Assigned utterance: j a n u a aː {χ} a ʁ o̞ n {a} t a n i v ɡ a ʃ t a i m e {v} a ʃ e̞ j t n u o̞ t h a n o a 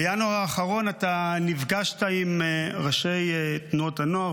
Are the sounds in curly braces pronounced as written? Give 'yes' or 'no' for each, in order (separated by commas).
yes, yes, no